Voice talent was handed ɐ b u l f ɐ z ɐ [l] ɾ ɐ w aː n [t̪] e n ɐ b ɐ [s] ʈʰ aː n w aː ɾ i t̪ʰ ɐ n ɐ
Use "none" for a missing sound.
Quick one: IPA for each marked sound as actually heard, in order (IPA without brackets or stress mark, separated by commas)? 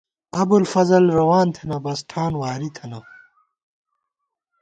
l, t̪ʰ, s